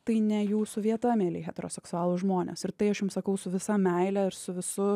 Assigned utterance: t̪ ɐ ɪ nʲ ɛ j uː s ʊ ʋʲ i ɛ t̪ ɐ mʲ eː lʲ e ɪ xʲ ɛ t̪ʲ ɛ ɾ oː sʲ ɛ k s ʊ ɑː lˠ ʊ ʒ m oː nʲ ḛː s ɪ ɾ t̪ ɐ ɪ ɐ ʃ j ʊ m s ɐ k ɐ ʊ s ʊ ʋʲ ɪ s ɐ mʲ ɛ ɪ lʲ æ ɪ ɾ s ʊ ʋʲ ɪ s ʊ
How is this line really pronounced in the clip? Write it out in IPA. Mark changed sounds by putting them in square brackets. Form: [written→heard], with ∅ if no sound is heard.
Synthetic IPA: t̪ ɐ ɪ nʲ ɛ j uː s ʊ ʋʲ i ɛ t̪ ɐ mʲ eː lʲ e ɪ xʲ ɛ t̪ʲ ɛ ɾ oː sʲ ɛ k s ʊ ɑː lˠ ʊ ʒ m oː nʲ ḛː s ɪ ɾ t̪ ɐ ɪ ɐ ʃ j ʊ m s ɐ k ɐ ʊ s ʊ ʋʲ ɪ s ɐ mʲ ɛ ɪ lʲ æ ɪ ɾ s ʊ ʋʲ ɪ s ʊ